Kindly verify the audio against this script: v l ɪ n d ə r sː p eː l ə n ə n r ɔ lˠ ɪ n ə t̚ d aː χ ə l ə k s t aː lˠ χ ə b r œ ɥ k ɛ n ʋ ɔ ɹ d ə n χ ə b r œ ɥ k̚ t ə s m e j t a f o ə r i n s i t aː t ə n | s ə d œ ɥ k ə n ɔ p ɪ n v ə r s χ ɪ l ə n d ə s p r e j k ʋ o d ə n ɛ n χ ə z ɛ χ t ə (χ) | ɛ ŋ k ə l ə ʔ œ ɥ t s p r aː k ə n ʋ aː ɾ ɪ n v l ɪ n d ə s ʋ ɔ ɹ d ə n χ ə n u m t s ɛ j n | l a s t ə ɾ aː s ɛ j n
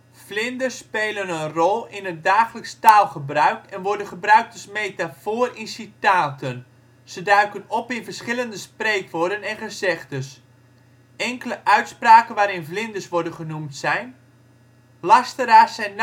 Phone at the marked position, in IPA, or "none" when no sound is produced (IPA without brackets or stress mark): s